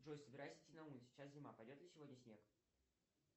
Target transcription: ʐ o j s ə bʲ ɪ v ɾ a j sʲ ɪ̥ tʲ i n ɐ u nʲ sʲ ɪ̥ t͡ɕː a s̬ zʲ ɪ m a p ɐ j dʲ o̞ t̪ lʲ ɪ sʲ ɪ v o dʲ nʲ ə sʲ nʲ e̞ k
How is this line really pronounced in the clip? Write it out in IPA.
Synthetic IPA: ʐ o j s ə bʲ ɪ ɾ a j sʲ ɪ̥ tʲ i n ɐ u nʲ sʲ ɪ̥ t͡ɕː a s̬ zʲ ɪ m a p ɐ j dʲ o̞ t̪ lʲ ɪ sʲ ɪ v o dʲ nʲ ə sʲ nʲ e̞ k